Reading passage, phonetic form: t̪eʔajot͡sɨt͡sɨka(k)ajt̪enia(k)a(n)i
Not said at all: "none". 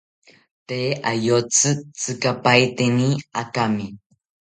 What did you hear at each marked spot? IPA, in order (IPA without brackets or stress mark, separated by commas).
p, k, m